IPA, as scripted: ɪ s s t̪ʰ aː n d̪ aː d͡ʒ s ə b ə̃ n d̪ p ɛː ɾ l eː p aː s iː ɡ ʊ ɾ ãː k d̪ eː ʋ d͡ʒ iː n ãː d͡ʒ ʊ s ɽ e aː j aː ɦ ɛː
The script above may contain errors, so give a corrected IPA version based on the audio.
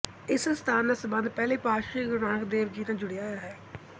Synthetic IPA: ɪ s s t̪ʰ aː n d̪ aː s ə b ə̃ n d̪ p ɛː l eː p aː ʃ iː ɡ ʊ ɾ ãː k d̪ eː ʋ d͡ʒ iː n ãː d͡ʒ ʊ ɽ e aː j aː ɦ ɛː

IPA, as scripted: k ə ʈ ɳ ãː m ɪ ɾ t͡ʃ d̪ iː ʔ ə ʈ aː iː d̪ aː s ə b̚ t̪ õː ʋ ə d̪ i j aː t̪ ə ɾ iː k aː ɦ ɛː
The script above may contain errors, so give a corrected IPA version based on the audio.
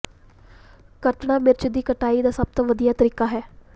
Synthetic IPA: k ə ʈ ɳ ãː m ɪ ɾ t͡ʃ d̪ iː k ə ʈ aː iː d̪ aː s ə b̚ t̪ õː ʋ ə d̪ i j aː t̪ ə ɾ iː k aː ɦ ɛː

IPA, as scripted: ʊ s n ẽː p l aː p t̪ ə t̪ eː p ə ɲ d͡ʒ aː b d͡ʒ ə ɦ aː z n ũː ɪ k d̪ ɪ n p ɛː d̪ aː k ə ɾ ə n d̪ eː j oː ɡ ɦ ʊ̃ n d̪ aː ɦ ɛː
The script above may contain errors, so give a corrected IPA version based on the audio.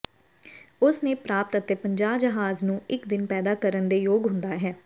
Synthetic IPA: ʊ s n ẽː p ɾ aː p t̪ ə t̪ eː p ə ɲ d͡ʒ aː b d͡ʒ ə ɦ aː z n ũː ɪ k d̪ ɪ n p ɛː d̪ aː k ə ɾ ə n d̪ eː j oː ɡ ɦ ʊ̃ n d̪ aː ɦ ɛː

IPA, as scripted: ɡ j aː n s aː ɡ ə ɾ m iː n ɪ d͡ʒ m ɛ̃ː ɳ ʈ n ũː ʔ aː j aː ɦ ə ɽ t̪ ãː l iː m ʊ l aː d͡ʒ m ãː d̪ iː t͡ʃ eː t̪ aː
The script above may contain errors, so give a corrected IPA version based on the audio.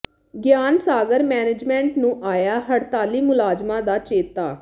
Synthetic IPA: ɡ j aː n s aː ɡ ə ɾ m ɛː n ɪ d͡ʒ m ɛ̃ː ɳ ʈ n ũː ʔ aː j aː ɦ ə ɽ t̪ aː l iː m ʊ l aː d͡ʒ m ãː d̪ aː t͡ʃ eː t̪ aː

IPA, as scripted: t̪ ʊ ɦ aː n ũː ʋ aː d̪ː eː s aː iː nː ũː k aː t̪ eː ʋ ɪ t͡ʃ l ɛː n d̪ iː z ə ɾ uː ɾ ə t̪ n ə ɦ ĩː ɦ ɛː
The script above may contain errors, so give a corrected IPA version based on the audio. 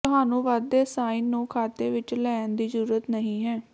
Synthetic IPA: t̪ ʊ ɦ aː n ũː ʋ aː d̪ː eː s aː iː nː ũː kʰ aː t̪ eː ʋ ɪ t͡ʃ l ɛː n d̪ iː z ə ɾ uː ɾ ə t̪ n ə ɦ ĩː ɦ ɛː

